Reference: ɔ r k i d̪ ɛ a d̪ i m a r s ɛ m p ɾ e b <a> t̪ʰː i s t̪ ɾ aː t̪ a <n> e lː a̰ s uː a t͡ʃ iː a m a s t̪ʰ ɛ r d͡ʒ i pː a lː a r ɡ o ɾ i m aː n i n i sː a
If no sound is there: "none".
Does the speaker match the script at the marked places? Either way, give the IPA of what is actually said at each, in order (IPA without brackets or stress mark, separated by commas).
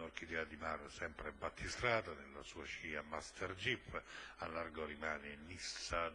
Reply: a, n